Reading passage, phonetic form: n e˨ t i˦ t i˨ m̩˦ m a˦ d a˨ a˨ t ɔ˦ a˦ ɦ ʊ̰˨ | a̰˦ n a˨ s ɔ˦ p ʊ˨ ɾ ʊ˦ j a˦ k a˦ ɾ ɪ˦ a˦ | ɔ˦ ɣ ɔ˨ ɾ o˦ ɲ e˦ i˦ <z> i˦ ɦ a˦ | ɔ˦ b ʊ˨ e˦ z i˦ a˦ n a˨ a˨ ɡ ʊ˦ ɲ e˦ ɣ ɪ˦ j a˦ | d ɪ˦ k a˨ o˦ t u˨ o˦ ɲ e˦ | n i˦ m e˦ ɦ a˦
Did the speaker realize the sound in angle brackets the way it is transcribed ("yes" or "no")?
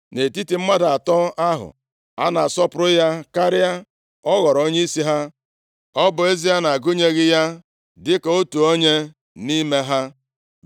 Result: no